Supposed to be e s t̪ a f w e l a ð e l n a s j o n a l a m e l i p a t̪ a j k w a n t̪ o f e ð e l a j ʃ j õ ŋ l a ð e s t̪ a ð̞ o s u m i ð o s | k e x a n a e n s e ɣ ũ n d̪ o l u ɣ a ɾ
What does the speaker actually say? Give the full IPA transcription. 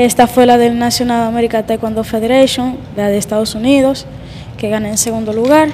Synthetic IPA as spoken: e s t̪ a f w e l a ð e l n a s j o n a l a m e ɾ i k a t̪ a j k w a n d̪ o f e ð e ɾ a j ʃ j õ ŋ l a ð e s t̪ a ð̞ o s u n i ð o s | k e ɣ a n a e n s e ɣ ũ n d̪ o l u ɣ a ɾ